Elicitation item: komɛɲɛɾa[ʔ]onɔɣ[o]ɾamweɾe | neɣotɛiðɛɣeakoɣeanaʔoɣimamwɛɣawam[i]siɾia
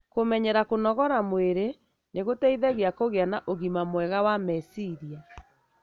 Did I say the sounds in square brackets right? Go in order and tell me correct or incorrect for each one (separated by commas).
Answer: incorrect, incorrect, incorrect